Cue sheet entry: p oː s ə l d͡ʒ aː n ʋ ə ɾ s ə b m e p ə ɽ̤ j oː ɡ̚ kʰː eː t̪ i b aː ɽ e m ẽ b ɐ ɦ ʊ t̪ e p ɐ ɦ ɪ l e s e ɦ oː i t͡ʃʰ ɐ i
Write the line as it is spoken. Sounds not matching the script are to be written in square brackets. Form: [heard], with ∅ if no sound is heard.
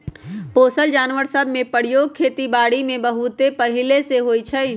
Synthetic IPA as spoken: p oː s ə l d͡ʒ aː n ʋ ə ɾ s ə b m [ẽ] p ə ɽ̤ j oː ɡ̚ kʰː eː t̪ i b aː ɽ [i] m ẽ b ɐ ɦ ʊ t̪ e p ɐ ɦ ɪ l e s e ɦ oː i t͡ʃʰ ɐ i